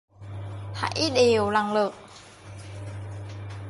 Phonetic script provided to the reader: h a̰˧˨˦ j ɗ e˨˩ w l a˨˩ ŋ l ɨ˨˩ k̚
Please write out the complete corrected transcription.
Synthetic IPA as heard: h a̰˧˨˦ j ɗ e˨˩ w l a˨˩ ŋ l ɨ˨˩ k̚

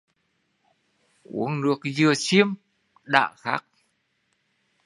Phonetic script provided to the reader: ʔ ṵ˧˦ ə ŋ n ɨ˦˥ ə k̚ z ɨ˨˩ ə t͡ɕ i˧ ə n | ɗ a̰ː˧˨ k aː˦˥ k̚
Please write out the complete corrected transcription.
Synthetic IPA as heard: ʔ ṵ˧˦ ə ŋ n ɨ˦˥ ə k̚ z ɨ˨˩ ə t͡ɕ i˧ ə m | ɗ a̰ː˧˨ x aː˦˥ k̚

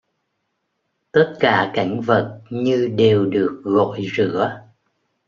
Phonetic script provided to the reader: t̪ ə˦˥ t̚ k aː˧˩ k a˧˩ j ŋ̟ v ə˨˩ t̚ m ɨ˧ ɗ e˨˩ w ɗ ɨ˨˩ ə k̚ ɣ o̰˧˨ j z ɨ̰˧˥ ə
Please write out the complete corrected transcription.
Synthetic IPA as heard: t̪ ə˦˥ t̚ k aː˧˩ k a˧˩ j ŋ̟ v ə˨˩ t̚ ɲ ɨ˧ ɗ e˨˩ w ɗ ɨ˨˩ ə k̚ ɣ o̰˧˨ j z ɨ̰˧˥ ə

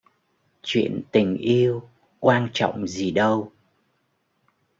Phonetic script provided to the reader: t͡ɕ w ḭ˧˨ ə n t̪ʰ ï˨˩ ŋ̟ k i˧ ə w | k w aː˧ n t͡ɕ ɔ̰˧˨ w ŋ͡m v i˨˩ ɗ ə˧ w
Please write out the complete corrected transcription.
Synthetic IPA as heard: t͡ɕ w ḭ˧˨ ə n t̪ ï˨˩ ŋ̟ ʔ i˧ ə w | k w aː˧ n t͡ɕ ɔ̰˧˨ w ŋ͡m z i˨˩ ɗ ə˧ w

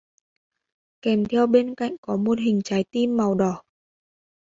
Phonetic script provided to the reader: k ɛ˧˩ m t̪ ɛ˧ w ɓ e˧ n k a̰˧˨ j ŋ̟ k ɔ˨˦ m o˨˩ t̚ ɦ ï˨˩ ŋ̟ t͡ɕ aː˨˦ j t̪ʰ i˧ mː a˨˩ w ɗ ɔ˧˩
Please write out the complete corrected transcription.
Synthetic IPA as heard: k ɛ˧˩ m t̪ʰ ɛ˧ w ɓ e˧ n k a̰˧˨ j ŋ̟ k ɔ˨˦ m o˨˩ t̚ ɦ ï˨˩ ŋ̟ t͡ɕ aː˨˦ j t̪ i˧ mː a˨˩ w ɗ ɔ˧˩

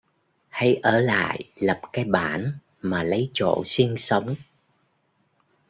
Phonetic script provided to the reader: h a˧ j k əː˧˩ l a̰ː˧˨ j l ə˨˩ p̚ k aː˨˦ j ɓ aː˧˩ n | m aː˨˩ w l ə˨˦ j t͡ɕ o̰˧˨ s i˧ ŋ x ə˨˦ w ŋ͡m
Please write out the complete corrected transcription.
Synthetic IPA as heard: h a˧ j ʔ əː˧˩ l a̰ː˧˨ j l ə˨˩ p̚ k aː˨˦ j ɓ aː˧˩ n | m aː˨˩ l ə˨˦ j t͡ɕ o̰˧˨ s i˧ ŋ s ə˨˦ w ŋ͡m

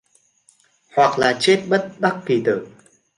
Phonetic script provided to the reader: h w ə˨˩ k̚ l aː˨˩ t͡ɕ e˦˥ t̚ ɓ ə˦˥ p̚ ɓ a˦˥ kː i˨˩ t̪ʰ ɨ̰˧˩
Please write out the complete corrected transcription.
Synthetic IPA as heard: h w a˨˩ k̚ l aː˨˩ t͡ɕ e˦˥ t̚ ɓ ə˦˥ t̚ ɓ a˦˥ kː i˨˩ t̪ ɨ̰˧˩

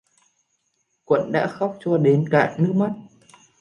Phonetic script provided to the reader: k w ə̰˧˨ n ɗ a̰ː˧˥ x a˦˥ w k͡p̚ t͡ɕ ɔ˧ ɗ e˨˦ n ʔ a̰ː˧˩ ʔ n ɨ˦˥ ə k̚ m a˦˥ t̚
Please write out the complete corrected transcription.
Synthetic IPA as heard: k w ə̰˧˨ n ɗ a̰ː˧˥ x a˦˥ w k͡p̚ t͡ɕ ɔ˧ ɗ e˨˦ n k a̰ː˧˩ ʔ n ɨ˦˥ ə k̚ m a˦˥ t̚

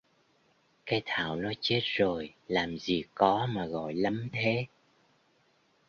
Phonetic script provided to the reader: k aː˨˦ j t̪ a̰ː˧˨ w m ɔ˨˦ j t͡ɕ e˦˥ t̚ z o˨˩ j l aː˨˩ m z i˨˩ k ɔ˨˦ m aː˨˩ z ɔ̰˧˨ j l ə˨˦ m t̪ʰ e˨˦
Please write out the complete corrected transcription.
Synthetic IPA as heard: k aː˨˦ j t̪ʰ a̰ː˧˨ w n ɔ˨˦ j t͡ɕ e˦˥ t̚ z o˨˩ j l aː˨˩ m z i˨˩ k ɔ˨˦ m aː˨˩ ɣ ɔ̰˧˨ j l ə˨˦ m t̪ʰ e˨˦

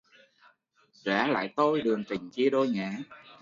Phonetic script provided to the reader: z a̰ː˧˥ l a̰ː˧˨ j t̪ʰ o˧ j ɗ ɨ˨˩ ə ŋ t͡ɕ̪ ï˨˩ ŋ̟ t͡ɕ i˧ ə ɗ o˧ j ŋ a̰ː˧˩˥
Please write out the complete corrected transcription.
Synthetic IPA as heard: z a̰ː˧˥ l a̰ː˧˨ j t̪ o˧ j ɗ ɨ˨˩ ə ŋ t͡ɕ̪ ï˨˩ ŋ̟ t͡ɕ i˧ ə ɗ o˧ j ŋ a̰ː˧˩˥

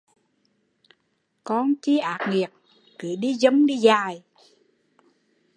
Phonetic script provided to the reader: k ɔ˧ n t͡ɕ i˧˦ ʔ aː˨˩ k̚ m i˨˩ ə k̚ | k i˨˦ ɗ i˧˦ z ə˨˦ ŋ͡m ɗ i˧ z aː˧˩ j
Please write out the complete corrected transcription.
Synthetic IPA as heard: k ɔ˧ n t͡ɕ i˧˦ ʔ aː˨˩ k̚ ŋ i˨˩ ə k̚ | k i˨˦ ɗ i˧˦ z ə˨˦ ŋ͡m ɗ i˧ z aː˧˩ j

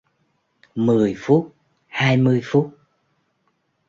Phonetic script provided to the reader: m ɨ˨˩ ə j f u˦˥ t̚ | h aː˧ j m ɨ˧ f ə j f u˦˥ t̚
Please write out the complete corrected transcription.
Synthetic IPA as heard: m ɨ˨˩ ə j f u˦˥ t̚ | h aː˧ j m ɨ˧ ə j f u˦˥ t̚

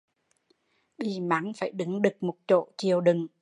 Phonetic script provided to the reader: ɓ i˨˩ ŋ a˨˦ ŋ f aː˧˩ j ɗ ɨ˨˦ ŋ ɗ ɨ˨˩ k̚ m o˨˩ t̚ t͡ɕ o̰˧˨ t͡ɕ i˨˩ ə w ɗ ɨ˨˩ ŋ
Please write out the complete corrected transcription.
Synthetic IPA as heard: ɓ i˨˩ m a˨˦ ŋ f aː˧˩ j ɗ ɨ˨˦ ŋ ɗ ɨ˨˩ k̚ m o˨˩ t̚ t͡ɕ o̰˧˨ t͡ɕ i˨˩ ə w ɗ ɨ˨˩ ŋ

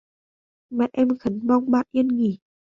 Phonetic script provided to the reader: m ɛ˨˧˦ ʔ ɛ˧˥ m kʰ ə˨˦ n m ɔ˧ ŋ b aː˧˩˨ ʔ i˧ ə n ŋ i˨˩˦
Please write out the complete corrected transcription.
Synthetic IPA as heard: m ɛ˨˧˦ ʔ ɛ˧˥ m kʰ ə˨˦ n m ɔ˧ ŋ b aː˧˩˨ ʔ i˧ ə n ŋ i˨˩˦

